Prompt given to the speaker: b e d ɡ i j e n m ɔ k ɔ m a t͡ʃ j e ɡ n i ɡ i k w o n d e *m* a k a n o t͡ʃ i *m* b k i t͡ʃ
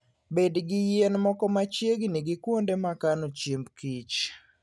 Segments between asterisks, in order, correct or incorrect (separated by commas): correct, correct